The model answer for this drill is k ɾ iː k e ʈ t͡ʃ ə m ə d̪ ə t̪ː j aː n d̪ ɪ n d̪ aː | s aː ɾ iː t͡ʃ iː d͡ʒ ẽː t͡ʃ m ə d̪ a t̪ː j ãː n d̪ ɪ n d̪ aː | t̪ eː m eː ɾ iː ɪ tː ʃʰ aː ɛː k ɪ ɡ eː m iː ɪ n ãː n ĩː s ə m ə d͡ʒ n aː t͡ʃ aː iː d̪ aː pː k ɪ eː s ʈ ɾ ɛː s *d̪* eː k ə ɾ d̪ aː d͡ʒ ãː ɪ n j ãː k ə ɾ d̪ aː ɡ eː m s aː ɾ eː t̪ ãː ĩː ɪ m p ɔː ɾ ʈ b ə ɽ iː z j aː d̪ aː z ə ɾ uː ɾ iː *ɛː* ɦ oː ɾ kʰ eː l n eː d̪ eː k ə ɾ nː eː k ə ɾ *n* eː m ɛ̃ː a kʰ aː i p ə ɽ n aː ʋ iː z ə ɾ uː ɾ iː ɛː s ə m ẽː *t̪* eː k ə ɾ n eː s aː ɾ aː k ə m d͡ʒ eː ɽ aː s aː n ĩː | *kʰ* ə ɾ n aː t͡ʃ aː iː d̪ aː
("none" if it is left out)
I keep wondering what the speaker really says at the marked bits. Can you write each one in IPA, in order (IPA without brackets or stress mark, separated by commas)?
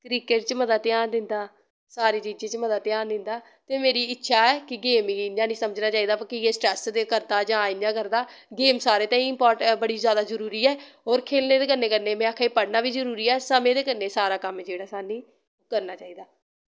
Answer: d̪, ɛː, n, d̪, k